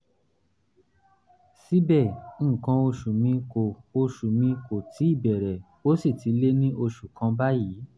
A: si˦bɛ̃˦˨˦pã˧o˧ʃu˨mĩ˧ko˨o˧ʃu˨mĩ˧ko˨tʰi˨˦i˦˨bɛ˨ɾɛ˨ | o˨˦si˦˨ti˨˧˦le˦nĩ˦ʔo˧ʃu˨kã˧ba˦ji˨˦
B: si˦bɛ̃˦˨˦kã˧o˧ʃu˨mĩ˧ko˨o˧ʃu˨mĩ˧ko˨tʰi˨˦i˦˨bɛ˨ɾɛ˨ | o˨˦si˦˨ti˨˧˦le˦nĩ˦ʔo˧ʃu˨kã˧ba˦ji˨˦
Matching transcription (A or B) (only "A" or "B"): B